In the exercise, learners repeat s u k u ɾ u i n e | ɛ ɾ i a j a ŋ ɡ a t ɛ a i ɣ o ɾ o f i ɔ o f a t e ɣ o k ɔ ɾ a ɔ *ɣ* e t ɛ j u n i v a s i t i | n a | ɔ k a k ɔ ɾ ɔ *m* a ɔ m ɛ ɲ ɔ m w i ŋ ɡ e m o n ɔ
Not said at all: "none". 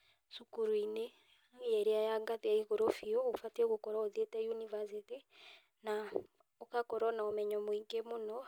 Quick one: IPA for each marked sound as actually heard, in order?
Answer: ð, n

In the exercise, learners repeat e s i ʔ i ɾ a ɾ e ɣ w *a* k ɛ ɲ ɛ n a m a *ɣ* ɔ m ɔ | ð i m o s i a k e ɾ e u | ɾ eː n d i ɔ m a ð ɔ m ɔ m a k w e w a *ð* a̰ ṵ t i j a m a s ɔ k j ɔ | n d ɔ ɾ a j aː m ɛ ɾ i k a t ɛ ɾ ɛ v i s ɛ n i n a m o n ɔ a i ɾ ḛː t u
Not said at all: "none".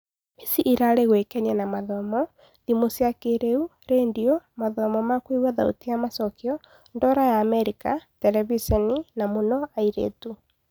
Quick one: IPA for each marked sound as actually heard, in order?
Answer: e, ð, ð

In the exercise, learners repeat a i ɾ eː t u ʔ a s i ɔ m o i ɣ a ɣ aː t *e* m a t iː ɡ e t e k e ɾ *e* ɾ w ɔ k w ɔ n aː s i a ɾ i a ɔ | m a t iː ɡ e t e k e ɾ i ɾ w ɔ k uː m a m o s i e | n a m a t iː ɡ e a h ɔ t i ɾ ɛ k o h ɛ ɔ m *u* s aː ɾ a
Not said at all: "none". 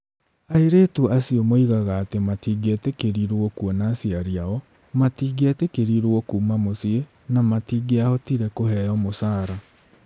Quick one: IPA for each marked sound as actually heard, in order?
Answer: e, i, o

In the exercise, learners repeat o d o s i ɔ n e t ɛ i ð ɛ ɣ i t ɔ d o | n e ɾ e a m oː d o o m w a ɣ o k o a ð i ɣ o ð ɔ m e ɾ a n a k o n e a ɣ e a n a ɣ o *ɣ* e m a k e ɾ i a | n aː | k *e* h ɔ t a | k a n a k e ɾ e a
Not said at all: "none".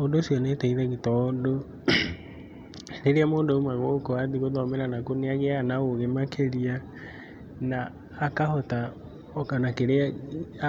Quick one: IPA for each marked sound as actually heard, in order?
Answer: ɣ, a

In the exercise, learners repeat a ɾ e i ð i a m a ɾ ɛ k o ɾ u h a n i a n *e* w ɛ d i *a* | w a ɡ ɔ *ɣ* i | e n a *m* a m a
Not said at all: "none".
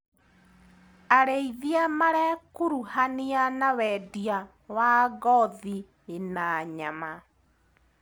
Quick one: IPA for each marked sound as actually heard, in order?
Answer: a, a, ð, ɲ

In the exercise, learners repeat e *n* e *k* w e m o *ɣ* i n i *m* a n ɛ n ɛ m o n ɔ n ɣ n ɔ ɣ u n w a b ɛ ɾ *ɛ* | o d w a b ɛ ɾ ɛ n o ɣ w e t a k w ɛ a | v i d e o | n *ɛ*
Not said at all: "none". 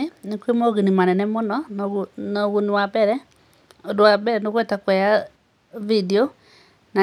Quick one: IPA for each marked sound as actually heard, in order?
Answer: n, k, ɣ, m, ɛ, a

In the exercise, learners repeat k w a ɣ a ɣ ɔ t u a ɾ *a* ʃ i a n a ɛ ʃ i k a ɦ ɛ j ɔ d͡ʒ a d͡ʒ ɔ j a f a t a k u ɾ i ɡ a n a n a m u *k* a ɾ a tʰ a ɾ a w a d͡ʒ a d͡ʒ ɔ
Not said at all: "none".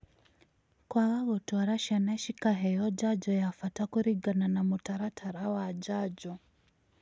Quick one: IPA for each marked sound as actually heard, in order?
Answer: a, t

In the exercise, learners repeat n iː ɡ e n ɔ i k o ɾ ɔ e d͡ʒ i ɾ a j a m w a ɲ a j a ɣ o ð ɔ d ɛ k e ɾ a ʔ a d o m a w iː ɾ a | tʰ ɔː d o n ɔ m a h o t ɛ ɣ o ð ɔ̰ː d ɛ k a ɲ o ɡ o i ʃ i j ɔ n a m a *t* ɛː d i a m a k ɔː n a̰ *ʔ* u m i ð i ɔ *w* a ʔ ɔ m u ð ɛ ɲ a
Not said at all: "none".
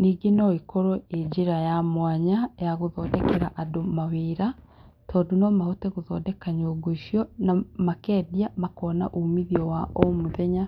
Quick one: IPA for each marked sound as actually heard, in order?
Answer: k, ʔ, w

